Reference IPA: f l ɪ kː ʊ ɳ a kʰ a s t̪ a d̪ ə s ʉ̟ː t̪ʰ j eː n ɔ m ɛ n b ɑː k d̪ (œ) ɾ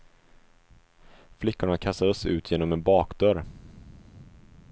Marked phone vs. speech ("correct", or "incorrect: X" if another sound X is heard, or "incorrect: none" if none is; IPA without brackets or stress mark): correct